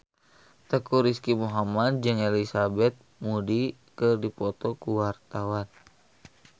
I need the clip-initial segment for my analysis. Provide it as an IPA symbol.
t̪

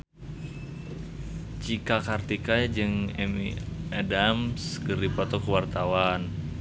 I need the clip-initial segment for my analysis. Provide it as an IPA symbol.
t͡ʃ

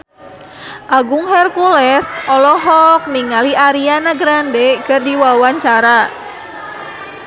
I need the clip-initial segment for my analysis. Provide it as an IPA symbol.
ʔ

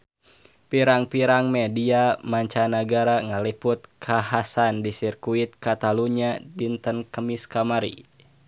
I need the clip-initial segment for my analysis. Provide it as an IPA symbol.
p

